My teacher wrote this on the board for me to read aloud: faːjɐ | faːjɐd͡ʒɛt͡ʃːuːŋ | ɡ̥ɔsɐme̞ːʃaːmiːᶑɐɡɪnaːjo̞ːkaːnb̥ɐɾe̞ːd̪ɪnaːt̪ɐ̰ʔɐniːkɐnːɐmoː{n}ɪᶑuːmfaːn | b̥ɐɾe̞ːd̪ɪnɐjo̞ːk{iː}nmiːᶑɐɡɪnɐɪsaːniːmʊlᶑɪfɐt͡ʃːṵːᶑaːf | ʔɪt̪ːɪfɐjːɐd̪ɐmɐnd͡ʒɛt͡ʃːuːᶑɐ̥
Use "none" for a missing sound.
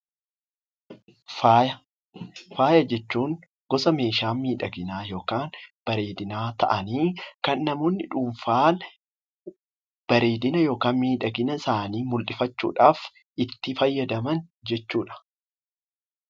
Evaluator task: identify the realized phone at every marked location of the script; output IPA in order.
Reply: nː, aː

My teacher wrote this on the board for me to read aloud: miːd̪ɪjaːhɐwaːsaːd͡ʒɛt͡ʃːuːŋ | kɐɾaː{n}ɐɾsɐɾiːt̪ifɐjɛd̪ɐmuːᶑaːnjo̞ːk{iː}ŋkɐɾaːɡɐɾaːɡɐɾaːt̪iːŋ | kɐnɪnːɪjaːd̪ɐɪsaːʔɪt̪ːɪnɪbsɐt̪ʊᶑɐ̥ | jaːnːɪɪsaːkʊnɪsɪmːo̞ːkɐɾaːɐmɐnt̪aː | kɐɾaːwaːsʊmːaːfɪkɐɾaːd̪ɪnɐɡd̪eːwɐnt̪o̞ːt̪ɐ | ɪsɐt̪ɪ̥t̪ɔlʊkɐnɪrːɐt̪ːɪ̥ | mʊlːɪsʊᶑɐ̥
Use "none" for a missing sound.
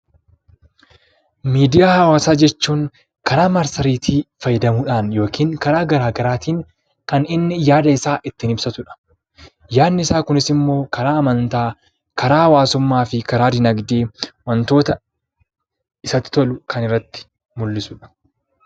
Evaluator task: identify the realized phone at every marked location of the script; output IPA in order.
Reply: m, iː

